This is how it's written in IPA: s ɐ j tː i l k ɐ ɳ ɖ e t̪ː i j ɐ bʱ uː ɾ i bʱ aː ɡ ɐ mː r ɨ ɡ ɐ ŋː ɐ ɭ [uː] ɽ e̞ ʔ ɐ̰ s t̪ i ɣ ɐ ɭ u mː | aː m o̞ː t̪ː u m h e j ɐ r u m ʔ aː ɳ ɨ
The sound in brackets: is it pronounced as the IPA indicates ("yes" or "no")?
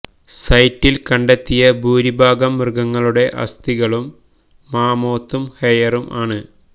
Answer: no